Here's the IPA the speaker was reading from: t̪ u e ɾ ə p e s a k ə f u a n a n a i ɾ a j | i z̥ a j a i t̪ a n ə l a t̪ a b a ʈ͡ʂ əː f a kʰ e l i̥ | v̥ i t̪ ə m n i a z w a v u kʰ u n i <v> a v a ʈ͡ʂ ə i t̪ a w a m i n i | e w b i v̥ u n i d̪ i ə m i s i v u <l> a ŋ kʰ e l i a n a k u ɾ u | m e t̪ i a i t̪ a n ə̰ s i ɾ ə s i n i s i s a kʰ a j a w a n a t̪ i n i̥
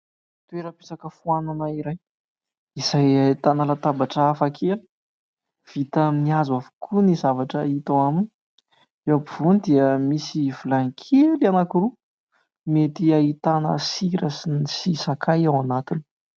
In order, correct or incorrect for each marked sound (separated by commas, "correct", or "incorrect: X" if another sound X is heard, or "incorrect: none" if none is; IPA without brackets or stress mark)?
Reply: incorrect: z, correct